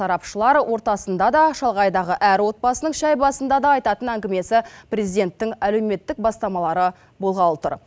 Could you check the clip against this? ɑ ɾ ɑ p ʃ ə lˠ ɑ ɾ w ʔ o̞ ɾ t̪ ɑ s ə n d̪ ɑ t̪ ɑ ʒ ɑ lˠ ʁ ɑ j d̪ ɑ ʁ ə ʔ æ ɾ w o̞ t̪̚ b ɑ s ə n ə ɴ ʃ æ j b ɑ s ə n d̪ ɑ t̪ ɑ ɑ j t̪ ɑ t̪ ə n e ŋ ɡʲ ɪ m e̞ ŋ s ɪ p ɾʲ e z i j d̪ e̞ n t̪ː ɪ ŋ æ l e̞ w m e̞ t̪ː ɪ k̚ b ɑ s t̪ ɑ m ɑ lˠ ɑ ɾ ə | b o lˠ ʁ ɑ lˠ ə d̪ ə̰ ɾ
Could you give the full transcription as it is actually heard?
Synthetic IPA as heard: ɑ ɾ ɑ p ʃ ə lˠ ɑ ɾ w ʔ o̞ ɾ t̪ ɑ s ə n d̪ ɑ d̪ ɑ ʃ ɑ lˠ ʁ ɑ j d̪ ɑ ʁ ə ʔ æ ɾ w o̞ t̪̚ b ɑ s ə n ə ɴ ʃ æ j b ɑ s ə n d̪ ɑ d̪ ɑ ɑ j t̪ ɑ t̪ ə n æ ŋ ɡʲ ɪ m e̞ s ɪ p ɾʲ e z i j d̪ e̞ n t̪ː ɪ ŋ æ l e̞ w m e̞ t̪ː ɪ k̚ b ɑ s t̪ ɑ m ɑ lˠ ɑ ɾ ə | b o lˠ ʁ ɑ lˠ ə t̪ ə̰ ɾ

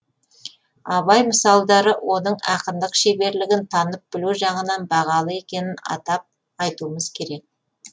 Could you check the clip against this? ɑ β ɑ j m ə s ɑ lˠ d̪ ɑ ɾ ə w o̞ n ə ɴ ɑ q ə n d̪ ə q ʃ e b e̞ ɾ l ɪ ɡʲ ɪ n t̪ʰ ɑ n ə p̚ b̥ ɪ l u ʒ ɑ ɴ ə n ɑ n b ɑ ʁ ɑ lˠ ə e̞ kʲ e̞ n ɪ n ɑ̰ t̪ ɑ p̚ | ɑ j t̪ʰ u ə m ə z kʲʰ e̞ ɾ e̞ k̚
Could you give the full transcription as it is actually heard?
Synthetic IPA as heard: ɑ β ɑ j m ə s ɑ lˠ d̪ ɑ ɾ ə w o̞ n ə ɴ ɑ q ə n d̪ ə q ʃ e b e̞ ɾ l ɪ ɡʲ ɪ n t̪ʰ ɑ n ə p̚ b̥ ɪ l u ʒ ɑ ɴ ə n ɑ n b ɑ ʁ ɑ lˠ ə e̞ kʲ e̞ n ɪ n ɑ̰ t̪ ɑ p̚ | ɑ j t̪ u ə m ə z kʲʰ e̞ ɾ e̞ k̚

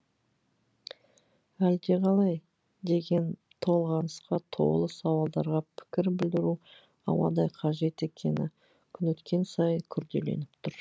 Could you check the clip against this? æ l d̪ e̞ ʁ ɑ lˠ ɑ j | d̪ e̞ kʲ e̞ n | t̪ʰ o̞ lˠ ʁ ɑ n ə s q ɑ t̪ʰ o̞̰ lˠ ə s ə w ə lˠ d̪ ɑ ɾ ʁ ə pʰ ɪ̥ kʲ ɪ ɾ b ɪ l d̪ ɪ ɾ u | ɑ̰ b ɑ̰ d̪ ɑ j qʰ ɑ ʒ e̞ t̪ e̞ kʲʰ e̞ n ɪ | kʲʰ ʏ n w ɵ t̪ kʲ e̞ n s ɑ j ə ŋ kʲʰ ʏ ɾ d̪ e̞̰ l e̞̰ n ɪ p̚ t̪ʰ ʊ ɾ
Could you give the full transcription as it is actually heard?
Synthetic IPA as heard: æ l d̪ e̞ ʁ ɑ lˠ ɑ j | d̪ e̞ ɡʲ e̞ n | t̪ʰ o̞ lˠ ʁ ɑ n ə s q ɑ t̪ʰ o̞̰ lˠ ə s ɑ w ɑ lˠ d̪ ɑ ɾ ʁ ɑ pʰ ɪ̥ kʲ ɪ ɾ b ɪ l d̪ ɪ ɾ u | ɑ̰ w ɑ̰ d̪ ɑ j qʰ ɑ ʒ e̞ t̪ e̞ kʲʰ e̞ n ɪ | kʲʰ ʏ n w ɵ t̪ kʲ e̞ n s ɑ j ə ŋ kʲʰ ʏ ɾ d̪ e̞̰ l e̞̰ n ɪ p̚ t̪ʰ ʊ ɾ

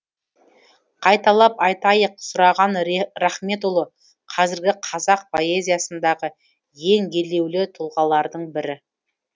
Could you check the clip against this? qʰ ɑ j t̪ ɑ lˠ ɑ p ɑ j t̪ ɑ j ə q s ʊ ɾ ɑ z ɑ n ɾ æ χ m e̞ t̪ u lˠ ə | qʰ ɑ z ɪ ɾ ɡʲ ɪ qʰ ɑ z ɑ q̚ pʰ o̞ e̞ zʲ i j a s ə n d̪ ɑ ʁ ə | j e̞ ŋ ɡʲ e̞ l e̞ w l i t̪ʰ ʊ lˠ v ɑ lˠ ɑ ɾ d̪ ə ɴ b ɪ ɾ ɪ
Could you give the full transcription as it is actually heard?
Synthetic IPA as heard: qʰ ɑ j t̪ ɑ lˠ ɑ p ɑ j t̪ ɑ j ə q s ʊ ɾ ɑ ʁ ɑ n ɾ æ χ m e̞ t̪ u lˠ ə | qʰ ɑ z ɪ ɾ ɡʲ ɪ qʰ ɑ z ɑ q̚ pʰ o̞ e̞ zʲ i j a s ə n d̪ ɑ ʁ ə | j e̞ ŋ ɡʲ e̞ l e̞ w l ɪ t̪ʰ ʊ lˠ ʁ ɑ lˠ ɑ ɾ d̪ ə ɴ b ɪ ɾ ɪ

